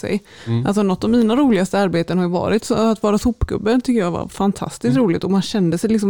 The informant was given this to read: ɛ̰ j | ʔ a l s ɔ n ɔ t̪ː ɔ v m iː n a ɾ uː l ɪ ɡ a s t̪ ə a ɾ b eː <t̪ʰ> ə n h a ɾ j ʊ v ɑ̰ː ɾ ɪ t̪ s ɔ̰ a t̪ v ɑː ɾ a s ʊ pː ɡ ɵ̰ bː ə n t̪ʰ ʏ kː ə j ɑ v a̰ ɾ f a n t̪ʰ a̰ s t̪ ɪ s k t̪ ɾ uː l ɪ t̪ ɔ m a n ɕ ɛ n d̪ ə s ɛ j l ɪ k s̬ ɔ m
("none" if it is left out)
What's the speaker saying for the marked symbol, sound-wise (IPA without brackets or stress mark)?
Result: t̪